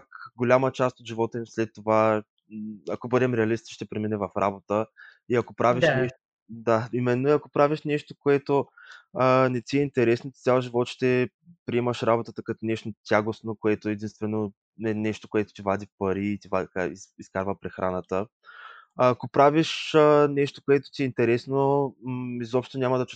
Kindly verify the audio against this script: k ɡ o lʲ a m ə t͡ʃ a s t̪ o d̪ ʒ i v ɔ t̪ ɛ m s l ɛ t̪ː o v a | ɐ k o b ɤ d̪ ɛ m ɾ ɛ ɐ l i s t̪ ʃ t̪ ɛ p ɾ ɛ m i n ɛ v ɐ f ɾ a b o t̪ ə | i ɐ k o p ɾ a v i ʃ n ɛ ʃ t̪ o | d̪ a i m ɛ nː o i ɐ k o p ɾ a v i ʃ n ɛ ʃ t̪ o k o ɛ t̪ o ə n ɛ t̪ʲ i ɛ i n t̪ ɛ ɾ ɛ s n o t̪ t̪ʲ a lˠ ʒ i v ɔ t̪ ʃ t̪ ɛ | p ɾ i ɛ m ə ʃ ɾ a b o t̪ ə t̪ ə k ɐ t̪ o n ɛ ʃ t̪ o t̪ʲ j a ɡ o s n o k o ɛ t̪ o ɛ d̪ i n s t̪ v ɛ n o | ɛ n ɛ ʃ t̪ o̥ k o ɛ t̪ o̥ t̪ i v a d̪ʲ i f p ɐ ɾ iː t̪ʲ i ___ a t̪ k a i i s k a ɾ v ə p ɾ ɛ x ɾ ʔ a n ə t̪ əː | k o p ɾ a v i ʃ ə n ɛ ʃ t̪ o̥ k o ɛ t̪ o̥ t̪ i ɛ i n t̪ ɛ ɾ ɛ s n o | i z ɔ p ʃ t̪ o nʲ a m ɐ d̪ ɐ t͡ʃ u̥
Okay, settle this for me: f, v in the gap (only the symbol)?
v